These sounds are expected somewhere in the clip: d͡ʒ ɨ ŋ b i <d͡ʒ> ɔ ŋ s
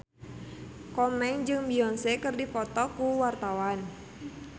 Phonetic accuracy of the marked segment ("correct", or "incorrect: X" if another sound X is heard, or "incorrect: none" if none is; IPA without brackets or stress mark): incorrect: none